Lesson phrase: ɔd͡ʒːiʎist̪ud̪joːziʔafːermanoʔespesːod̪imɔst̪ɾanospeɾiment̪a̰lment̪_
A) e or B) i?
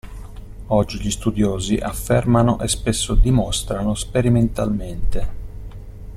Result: A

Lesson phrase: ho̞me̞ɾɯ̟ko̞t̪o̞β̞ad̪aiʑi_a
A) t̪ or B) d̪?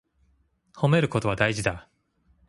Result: B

